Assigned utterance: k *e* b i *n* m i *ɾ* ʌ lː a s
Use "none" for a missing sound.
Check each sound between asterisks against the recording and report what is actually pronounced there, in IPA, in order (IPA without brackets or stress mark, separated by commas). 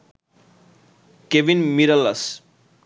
e, n, ɾ